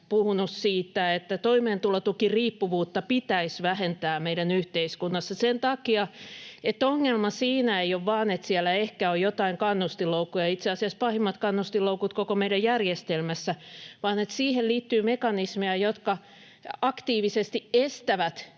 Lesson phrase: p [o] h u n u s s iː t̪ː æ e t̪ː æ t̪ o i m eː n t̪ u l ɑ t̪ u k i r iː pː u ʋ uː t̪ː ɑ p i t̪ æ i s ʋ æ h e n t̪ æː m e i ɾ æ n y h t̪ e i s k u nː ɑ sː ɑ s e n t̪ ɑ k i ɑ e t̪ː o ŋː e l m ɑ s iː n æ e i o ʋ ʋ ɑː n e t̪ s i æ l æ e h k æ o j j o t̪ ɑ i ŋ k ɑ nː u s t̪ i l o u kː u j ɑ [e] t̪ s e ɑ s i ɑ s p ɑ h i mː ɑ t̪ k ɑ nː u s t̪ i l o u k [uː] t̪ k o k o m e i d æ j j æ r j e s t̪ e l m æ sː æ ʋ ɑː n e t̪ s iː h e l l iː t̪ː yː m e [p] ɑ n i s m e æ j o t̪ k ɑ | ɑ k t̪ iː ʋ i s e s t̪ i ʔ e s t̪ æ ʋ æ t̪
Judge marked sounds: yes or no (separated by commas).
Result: no, no, no, no